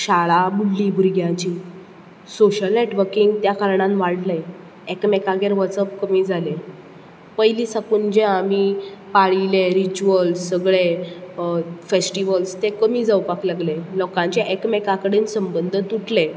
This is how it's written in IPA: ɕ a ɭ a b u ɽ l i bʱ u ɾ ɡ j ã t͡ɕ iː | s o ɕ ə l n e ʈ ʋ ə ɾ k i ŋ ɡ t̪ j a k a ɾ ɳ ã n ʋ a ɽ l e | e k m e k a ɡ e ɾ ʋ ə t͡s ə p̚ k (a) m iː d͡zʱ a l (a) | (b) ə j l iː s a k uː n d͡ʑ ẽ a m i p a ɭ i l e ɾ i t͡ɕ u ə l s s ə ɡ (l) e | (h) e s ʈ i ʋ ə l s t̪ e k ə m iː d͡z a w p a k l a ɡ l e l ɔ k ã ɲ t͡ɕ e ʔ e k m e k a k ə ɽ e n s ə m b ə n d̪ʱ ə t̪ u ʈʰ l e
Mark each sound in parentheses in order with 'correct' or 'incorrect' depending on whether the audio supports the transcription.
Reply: incorrect, incorrect, incorrect, incorrect, incorrect

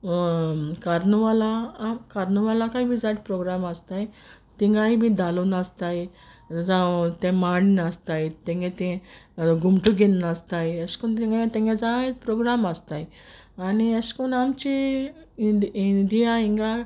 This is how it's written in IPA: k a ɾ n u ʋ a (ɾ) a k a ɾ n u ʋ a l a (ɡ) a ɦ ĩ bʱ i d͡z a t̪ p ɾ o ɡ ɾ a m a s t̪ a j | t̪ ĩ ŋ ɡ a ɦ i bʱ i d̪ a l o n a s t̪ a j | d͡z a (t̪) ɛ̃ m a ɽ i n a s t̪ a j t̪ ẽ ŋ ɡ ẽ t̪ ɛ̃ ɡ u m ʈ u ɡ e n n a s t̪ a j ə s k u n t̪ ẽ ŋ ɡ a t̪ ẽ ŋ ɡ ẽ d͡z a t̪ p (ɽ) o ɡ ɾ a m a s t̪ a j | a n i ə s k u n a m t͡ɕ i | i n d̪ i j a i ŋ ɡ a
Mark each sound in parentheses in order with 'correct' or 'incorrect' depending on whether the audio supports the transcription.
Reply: incorrect, incorrect, correct, incorrect

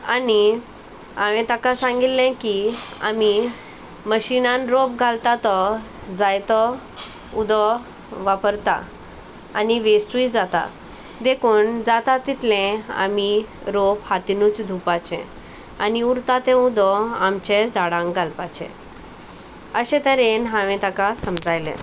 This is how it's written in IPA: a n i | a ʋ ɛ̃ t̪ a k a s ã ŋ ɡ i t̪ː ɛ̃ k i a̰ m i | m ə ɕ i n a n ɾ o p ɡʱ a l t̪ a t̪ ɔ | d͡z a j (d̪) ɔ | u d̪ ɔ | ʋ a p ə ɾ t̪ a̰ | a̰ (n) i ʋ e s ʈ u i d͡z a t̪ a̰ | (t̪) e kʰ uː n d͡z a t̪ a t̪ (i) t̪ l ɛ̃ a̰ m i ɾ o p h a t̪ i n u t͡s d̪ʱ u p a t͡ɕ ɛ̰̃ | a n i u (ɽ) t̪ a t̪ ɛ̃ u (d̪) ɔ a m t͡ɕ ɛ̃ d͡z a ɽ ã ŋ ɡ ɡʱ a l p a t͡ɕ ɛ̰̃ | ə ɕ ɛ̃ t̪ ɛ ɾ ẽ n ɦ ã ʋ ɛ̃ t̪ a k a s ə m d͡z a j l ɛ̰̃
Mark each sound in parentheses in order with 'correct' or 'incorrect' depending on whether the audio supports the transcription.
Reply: incorrect, correct, incorrect, correct, incorrect, correct

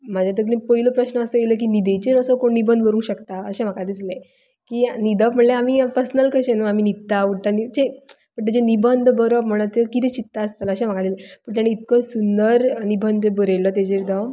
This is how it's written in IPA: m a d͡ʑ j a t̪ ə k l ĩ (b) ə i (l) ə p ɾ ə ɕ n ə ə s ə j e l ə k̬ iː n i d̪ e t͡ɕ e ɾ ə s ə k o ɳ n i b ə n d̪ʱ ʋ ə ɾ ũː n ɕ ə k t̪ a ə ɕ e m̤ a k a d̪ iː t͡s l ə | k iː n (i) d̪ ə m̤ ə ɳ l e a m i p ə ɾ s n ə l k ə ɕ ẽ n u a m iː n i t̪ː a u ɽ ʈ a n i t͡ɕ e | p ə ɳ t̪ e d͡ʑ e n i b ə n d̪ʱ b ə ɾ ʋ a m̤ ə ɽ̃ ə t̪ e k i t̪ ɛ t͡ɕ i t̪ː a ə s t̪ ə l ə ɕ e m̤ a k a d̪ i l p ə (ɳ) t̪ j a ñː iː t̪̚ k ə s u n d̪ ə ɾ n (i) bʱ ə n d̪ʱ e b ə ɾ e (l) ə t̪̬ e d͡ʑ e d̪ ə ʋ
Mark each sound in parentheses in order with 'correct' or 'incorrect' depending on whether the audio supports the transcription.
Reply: incorrect, correct, correct, correct, correct, correct

